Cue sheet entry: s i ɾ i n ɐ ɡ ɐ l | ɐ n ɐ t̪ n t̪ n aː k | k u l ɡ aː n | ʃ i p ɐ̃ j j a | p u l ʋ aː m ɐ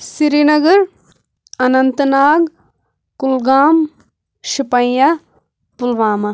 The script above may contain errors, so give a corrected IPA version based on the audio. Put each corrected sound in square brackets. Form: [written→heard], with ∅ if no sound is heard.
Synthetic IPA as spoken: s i ɾ i n ɐ ɡ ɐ [l→ɾ] | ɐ n ɐ [t̪→∅] n t̪ n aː [k→ɡ] | k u l ɡ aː [n→m] | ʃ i p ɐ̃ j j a | p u l ʋ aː m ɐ